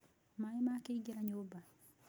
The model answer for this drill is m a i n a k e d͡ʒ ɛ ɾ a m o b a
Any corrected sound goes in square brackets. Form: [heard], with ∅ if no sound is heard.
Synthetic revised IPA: m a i [m] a k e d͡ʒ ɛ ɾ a [ɲ] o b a